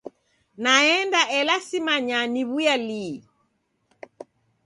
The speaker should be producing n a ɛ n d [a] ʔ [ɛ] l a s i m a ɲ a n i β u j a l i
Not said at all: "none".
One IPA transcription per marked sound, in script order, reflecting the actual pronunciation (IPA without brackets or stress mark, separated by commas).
a, ɛ